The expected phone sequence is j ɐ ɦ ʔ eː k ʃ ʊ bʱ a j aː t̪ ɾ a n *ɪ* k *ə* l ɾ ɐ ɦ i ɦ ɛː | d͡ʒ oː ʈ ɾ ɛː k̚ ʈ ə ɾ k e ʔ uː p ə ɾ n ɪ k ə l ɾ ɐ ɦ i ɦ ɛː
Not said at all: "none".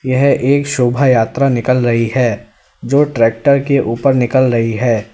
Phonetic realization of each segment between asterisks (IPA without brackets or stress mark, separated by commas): ɪ, ə